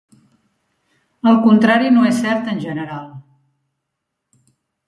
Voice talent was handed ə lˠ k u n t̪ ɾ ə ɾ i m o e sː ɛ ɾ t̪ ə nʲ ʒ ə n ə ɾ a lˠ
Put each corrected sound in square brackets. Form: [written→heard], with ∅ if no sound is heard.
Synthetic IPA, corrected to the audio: ə lˠ k u n t̪ ɾ [ə→a] ɾ i [m→n] o e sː ɛ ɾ t̪ ə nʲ ʒ ə n ə ɾ a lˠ